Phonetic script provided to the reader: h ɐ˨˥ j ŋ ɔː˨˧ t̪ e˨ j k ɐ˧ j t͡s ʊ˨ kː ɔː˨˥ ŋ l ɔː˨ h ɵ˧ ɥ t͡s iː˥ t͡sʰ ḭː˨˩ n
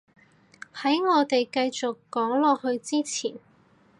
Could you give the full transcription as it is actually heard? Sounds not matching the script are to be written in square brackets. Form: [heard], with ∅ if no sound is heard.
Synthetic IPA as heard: h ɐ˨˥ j ŋ ɔː˨˧ t̪ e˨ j k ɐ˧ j t͡s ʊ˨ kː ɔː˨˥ ŋ l ɔː˨ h ɵ˧ ɥ t͡s iː˥ t͡sʰ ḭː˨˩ n